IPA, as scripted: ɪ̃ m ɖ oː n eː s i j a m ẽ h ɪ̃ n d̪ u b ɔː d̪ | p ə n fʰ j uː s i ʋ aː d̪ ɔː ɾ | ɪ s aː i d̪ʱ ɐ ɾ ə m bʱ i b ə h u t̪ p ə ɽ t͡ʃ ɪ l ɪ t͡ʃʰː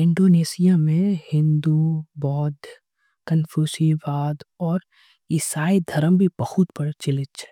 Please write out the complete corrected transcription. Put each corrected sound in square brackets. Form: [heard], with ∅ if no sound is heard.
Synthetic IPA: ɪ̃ [ɳ] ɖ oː n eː s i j a m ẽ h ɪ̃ n d̪ u b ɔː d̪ | [k] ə n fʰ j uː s i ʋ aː d̪ ɔː ɾ | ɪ s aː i d̪ʱ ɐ ɾ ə m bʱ i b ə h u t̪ p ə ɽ t͡ʃ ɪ l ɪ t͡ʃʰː

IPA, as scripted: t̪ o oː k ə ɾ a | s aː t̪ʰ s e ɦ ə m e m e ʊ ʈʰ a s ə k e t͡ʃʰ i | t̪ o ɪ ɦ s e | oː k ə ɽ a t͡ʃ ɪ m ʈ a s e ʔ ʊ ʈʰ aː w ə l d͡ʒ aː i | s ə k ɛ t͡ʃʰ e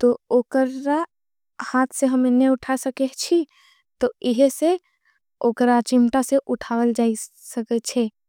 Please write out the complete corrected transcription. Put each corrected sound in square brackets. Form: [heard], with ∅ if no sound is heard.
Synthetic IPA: t̪ o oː k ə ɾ a | [h] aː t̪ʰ s e ɦ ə m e [n] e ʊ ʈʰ a s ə k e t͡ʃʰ i | t̪ o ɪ ɦ s e | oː k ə [ɾ] a t͡ʃ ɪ m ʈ a s e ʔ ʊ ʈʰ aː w ə l d͡ʒ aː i | s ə k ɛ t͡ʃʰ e

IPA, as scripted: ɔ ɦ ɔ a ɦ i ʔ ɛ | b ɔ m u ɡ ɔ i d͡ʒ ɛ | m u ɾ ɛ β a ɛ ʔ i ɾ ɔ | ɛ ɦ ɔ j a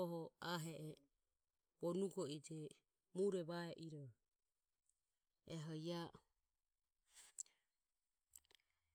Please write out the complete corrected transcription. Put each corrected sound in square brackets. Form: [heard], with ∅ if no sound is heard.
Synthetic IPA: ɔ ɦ ɔ a ɦ [ɛ] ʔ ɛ | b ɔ [n] u ɡ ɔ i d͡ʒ ɛ | m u ɾ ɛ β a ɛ ʔ i ɾ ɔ | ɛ ɦ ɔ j a

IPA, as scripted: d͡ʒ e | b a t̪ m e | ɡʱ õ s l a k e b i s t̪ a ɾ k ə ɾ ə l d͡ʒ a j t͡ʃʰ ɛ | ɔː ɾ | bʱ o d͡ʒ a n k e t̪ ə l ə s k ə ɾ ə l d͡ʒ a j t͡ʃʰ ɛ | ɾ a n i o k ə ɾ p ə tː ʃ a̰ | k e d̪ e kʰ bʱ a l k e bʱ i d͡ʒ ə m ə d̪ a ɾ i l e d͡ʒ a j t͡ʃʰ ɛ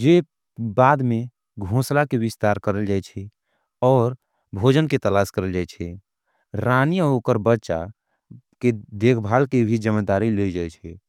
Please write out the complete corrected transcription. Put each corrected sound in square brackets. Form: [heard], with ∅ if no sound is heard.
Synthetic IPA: d͡ʒ e | b a [d̪] m e | ɡʱ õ s l a k e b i s t̪ a ɾ k ə ɾ ə l d͡ʒ a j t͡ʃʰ ɛ | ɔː ɾ | bʱ o d͡ʒ [ə] n k e t̪ ə l [a] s k ə ɾ ə l d͡ʒ a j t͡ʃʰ ɛ | ɾ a n i o k ə ɾ [b] ə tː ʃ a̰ | k e d̪ e kʰ bʱ a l k e bʱ i d͡ʒ ə m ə d̪ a ɾ i l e d͡ʒ a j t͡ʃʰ ɛ

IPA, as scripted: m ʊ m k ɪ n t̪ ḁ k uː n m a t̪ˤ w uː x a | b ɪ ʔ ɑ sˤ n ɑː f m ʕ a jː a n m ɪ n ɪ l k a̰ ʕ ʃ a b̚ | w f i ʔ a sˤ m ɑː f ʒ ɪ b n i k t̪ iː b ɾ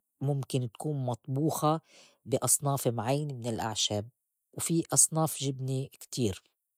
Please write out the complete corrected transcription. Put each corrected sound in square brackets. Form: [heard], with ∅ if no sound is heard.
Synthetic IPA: m ʊ m k ɪ n t̪ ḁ k uː n m [ɑ] t̪ˤ [b] uː x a | b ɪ ʔ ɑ sˤ n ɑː f m ʕ a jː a n m ɪ n ɪ l [ʔ] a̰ ʕ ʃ a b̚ | w f i ʔ [ɑ] sˤ [n] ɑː f ʒ ɪ b n i k t̪ iː [∅] ɾ

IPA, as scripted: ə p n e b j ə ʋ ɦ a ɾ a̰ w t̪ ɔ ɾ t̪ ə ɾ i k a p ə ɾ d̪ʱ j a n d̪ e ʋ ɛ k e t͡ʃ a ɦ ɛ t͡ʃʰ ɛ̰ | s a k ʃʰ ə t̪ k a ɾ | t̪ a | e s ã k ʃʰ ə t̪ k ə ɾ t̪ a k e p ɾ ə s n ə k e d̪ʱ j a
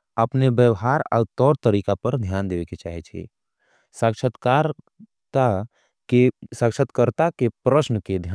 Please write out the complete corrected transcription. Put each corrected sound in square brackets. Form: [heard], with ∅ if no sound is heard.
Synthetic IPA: ə p n e b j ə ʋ ɦ a ɾ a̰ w t̪ ɔ ɾ t̪ ə ɾ i k a p ə ɾ d̪ʱ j a n d̪ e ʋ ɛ k e t͡ʃ a ɦ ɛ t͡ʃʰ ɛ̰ | s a k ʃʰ ə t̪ k a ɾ | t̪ a | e s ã k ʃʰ ə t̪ k ə ɾ t̪ a k e p ɾ ə s n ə k e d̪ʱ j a

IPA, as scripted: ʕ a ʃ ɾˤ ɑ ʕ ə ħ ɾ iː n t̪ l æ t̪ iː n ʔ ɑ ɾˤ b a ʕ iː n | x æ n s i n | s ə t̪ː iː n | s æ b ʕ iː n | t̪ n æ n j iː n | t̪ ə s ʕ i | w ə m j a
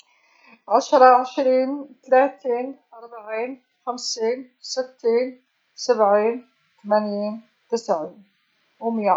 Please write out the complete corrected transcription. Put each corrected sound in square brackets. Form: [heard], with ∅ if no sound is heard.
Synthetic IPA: ʕ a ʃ ɾˤ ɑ ʕ ə [ʃ] ɾ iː n t̪ l æ t̪ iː n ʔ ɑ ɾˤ b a ʕ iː n | x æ [m] s i n | s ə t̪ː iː n | s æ b ʕ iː n | t̪ [m] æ n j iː n | t̪ ə s ʕ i | w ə m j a

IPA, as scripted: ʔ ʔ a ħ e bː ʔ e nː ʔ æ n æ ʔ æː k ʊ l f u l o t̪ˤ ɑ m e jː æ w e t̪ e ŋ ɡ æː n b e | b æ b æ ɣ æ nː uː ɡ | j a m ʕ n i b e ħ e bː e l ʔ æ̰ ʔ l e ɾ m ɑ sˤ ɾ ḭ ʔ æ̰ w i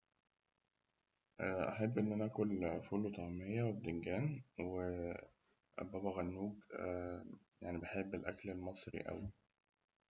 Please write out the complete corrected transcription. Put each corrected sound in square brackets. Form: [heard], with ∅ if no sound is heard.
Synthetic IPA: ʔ ʔ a ħ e bː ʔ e nː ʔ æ n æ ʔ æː k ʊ l f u l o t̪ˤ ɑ m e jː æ w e [d̪] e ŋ ɡ æː n [w] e | b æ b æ ɣ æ nː uː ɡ | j a [∅] ʕ n i b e ħ e bː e l ʔ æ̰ [k] l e [l] m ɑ sˤ ɾ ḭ ʔ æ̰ w i

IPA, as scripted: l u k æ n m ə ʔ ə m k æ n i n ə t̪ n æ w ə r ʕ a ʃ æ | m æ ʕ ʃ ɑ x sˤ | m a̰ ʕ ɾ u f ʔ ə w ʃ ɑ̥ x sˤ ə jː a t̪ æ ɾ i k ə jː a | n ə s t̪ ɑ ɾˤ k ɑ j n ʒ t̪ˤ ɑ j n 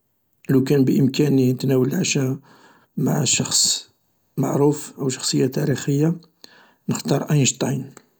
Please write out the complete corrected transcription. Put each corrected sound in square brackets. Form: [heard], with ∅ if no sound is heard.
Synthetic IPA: l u k æ n [b] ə ʔ ə m k æ n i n ə t̪ n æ w ə [l] ʕ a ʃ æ | m [a] ʕ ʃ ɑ x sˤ | m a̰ ʕ ɾ u f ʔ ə w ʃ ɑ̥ x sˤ ə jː a t̪ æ ɾ i [x] ə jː a | n ə [x] t̪ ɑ ɾˤ [ʔ] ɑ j n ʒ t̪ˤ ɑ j n

